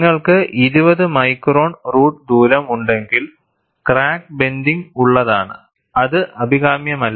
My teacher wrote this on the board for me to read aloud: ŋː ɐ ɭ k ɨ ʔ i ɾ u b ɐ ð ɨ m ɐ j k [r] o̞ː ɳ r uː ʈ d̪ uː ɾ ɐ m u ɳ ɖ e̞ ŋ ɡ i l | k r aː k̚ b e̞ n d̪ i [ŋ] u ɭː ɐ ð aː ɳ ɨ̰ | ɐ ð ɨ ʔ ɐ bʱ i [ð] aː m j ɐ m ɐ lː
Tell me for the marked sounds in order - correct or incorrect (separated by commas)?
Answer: correct, correct, incorrect